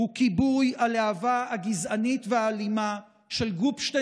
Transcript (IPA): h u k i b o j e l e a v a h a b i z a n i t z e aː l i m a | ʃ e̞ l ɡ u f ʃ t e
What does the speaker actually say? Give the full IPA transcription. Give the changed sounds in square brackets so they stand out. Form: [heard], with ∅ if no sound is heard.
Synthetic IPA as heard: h u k i b [u] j [a] l e a v a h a [ɡ] i z a n i t [v] e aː l i m a | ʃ e̞ l ɡ u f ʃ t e